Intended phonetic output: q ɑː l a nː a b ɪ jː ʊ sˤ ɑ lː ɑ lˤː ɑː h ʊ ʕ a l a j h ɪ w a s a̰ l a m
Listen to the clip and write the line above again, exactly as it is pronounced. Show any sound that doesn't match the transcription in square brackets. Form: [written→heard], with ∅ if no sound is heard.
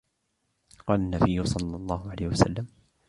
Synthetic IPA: q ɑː l a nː a b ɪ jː ʊ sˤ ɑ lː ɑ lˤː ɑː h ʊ ʕ a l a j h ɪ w a s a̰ [l→lː] a m